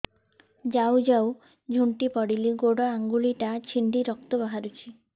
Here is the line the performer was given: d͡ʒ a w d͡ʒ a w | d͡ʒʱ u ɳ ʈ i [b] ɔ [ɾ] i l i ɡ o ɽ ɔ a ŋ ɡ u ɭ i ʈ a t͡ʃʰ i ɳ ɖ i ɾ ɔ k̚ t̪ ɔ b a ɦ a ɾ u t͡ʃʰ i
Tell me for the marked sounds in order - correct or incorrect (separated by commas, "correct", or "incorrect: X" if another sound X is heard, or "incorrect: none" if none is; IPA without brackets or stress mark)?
incorrect: p, incorrect: ɽ